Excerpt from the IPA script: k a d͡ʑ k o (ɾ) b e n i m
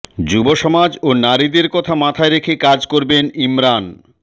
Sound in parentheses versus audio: correct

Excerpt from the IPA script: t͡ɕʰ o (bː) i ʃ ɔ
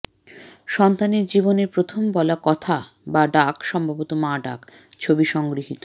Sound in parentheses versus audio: incorrect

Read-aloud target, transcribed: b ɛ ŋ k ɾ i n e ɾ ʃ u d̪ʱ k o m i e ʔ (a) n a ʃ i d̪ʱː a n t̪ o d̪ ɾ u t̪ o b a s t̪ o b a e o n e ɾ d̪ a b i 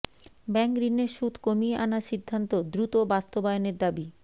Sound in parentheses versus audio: correct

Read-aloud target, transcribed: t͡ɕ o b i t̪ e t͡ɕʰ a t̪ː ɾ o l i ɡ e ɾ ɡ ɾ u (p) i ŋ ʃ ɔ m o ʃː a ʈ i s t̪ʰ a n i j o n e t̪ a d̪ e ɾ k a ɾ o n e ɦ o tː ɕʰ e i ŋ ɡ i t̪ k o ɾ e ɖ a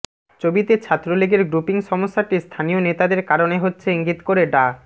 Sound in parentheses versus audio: correct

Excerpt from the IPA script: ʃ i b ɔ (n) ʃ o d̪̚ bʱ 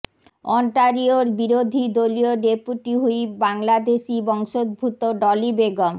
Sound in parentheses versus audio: incorrect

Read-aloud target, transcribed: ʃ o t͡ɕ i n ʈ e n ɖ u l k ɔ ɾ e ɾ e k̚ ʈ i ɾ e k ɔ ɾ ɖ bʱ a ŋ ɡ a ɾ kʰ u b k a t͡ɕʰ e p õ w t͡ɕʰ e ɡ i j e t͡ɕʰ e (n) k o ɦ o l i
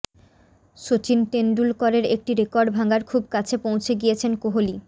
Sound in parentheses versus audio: correct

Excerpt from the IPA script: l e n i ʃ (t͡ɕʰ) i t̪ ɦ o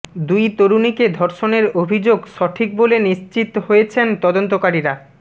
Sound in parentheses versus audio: incorrect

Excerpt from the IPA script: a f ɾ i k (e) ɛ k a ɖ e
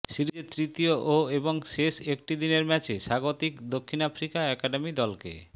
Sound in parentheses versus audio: incorrect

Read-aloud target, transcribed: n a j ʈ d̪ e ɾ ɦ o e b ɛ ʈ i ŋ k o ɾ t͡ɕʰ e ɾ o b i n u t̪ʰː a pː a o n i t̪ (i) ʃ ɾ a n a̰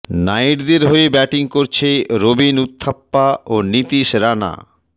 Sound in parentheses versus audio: correct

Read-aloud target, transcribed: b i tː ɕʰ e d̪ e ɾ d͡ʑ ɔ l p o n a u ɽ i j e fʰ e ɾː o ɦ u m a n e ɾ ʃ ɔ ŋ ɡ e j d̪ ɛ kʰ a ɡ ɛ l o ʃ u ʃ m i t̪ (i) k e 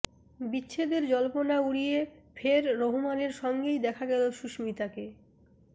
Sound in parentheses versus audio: incorrect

